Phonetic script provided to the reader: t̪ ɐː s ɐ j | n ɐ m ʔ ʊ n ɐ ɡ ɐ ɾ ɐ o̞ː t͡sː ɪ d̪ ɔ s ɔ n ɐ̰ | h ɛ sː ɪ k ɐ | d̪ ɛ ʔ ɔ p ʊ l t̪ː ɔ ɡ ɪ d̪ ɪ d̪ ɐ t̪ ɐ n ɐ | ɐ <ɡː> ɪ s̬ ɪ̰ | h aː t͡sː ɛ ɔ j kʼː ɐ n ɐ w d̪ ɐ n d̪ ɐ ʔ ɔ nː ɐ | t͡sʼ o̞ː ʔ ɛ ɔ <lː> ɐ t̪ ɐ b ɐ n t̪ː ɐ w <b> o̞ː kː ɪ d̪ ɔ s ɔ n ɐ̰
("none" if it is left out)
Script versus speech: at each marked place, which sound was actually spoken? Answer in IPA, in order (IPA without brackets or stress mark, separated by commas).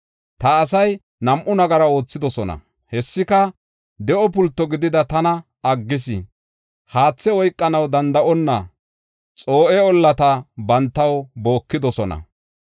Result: ɡː, lː, b